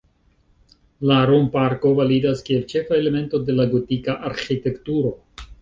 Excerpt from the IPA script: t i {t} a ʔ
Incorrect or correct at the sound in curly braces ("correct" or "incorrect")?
incorrect